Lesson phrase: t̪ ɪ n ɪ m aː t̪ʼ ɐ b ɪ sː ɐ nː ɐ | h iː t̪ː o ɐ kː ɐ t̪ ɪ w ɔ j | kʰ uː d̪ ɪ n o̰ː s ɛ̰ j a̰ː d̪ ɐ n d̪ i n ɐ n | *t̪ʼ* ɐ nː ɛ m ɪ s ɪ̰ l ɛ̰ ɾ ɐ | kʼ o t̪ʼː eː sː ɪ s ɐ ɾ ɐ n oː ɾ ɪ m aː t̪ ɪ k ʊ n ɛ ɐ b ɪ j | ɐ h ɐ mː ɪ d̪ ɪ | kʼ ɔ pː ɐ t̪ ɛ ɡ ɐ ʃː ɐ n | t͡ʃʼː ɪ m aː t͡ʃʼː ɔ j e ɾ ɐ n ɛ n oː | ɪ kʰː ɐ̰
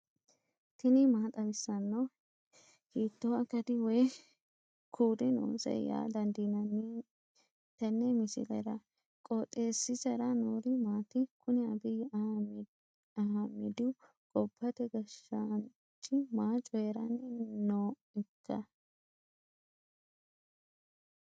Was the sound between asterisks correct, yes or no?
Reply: no